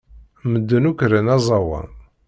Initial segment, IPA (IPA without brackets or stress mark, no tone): m